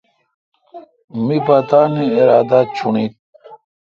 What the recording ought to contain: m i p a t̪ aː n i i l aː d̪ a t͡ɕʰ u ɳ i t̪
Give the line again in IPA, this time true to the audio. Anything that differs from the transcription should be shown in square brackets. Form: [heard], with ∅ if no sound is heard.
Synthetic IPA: m i p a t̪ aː n i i [ɾ] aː d̪ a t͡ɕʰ u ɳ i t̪